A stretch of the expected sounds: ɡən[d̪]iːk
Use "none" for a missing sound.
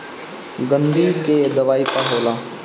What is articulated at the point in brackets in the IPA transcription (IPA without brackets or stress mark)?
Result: d̪